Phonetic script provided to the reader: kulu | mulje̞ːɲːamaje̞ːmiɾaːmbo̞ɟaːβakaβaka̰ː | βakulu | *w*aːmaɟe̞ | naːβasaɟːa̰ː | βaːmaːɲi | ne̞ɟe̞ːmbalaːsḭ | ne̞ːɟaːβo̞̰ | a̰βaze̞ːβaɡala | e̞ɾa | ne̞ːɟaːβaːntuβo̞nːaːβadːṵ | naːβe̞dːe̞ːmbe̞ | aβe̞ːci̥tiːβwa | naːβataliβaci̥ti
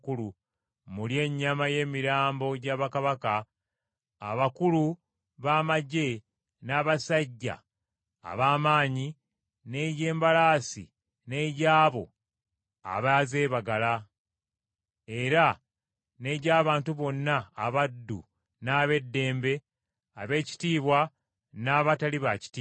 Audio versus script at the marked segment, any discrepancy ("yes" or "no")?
yes